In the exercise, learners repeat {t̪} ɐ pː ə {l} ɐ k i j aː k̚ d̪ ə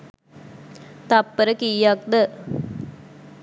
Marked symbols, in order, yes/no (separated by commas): yes, no